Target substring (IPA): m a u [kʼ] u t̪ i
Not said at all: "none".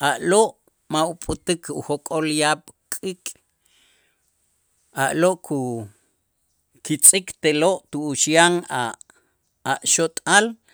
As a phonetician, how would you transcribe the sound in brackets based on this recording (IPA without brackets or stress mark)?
pʼ